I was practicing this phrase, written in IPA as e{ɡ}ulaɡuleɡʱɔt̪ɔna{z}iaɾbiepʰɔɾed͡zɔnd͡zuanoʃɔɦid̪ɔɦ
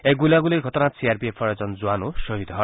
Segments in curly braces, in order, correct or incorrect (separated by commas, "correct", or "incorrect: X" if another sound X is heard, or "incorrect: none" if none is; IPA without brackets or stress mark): correct, incorrect: s